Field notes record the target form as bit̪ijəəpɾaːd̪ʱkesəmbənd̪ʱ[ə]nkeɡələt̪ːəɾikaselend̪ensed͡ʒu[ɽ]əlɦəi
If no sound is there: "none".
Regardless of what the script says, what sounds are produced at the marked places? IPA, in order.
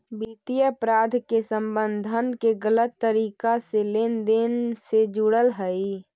ə, ɽ

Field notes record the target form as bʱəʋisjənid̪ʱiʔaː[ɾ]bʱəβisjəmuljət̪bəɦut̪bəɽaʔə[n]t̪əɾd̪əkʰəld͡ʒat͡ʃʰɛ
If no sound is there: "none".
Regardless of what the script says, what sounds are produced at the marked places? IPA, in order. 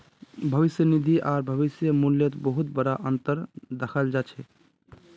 ɾ, n

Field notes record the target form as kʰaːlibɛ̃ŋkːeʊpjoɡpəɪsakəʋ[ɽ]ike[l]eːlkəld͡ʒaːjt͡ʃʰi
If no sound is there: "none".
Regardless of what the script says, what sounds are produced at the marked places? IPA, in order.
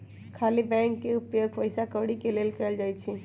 ɽ, l

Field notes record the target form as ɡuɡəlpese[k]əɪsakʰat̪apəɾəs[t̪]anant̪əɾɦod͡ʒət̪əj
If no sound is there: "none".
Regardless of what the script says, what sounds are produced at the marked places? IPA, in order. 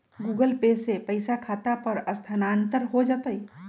p, t̪ʰ

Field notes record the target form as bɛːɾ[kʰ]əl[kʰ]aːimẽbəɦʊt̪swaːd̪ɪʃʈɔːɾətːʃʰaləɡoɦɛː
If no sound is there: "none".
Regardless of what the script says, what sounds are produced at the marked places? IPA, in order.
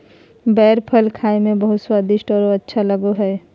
pʰ, kʰ

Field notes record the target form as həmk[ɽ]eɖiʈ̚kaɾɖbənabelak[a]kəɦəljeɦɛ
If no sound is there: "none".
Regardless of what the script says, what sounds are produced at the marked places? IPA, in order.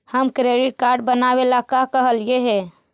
ɾ, a

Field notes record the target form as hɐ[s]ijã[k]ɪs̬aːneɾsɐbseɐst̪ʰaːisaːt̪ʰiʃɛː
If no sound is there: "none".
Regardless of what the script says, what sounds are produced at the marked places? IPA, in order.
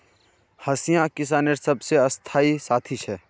s, k

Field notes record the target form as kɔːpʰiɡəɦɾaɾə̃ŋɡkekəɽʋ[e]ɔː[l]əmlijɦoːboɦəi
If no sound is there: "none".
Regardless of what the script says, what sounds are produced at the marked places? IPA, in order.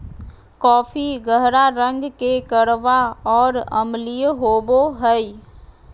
a, ɾ

